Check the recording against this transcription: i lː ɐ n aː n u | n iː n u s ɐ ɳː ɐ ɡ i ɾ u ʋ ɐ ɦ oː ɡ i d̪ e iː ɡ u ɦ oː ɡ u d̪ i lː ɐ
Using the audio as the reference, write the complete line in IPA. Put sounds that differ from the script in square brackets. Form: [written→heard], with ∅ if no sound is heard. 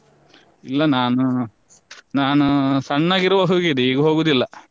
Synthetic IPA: i lː ɐ n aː n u | n [iː→aː] n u s ɐ ɳː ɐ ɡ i ɾ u ʋ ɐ ɦ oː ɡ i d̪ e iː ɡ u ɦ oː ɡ u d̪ i lː ɐ